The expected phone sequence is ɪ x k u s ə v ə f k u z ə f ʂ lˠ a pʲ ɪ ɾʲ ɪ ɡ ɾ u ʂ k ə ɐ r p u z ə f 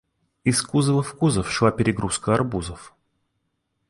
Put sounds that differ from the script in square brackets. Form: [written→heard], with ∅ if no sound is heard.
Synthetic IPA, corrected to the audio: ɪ [x→s] k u [s→z] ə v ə f k u z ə f ʂ lˠ a pʲ ɪ ɾʲ ɪ ɡ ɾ u [ʂ→s] k ə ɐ r [p→b] u z ə f

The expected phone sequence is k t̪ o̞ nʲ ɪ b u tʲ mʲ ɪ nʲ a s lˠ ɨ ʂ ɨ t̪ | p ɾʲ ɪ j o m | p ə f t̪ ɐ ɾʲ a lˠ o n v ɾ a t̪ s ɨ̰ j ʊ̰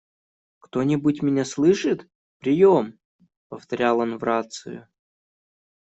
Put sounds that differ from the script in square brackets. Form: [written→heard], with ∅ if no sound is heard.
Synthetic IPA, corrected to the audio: k t̪ o̞ nʲ ɪ b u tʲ mʲ ɪ nʲ a s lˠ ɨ ʂ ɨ t̪ | p ɾʲ ɪ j o m | p ə f t̪ ɐ ɾʲ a lˠ o n v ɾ a t̪ s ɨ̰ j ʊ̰

